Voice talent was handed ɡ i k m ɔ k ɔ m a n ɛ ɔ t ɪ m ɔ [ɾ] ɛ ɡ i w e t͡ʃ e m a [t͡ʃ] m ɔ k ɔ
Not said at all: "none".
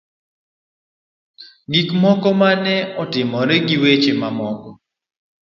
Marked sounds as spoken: ɾ, none

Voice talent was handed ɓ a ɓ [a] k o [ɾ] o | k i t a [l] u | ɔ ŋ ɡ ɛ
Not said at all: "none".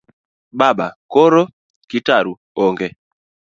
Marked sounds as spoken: a, ɾ, ɾ

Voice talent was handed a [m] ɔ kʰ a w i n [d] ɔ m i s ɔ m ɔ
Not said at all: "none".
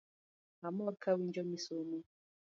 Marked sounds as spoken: m, d͡ʒ

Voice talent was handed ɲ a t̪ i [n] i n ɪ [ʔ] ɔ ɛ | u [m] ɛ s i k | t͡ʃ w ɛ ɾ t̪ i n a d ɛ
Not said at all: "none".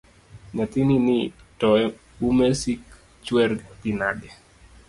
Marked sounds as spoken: n, t, m

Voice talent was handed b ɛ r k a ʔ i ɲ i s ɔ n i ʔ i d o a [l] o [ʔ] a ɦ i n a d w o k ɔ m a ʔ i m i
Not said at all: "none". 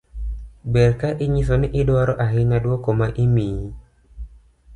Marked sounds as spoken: ɾ, ʔ

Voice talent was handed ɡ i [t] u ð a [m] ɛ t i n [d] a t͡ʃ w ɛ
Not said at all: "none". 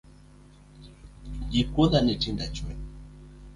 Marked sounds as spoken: k, n, d

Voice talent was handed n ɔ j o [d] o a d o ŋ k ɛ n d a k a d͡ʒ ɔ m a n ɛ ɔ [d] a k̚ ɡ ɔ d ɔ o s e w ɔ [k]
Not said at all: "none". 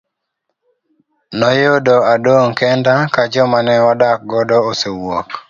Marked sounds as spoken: d, d, k

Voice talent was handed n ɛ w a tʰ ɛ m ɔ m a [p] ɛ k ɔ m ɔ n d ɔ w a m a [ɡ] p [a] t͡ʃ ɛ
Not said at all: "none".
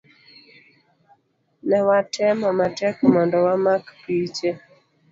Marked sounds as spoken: t, k, i

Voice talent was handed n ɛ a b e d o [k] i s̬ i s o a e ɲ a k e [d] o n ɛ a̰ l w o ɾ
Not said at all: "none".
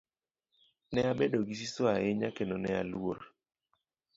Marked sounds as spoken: ɡ, n

